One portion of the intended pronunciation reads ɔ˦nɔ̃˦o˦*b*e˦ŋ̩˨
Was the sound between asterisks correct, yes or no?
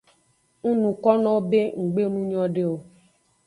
yes